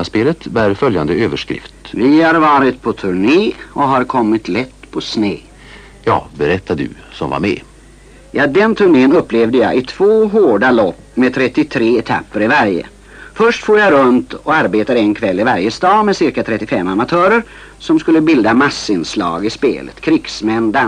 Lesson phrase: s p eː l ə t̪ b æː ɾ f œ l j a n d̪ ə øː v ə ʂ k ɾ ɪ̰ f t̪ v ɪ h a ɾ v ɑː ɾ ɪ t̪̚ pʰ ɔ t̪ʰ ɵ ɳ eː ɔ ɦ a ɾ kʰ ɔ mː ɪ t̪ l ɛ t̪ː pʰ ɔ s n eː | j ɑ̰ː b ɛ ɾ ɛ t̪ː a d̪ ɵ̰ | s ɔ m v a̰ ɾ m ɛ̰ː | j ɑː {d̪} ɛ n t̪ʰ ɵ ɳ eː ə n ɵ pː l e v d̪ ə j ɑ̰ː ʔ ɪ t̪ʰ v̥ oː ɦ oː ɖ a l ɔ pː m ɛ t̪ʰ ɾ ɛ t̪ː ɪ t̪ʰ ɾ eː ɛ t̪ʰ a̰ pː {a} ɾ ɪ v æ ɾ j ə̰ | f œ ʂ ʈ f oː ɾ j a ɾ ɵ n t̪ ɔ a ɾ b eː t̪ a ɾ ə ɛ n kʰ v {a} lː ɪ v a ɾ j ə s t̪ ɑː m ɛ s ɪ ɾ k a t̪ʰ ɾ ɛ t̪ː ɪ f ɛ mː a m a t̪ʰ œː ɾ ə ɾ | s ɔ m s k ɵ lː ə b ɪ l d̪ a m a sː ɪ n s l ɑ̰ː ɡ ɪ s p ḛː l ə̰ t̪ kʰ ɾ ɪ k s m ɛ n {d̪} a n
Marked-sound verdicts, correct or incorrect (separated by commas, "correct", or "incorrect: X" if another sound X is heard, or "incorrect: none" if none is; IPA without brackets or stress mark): correct, incorrect: ə, incorrect: ɛ, correct